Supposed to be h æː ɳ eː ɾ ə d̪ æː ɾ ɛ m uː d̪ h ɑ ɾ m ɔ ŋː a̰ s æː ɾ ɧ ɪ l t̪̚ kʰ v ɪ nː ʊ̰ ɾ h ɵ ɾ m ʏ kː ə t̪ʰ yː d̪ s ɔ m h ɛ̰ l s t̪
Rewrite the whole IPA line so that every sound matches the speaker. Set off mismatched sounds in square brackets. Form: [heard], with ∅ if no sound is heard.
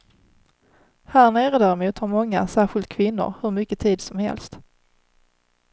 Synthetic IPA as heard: h æː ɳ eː ɾ ə d̪ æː ɾ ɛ m uː [t̪] h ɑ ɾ m ɔ ŋː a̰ s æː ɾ ɧ ɪ l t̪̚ kʰ v ɪ nː ʊ̰ ɾ h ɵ ɾ m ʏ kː ə t̪ʰ [iː] d̪ s ɔ m h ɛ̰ l s t̪